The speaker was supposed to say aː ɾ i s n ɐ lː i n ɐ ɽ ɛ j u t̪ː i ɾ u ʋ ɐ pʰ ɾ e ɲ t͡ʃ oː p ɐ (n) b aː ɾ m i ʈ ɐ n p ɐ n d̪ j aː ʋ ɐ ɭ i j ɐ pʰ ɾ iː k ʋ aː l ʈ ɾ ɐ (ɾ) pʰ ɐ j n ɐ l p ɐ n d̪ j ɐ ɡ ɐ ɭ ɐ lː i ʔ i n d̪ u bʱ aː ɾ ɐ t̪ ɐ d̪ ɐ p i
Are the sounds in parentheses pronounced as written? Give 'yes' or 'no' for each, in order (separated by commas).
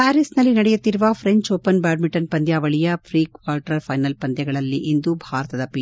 yes, yes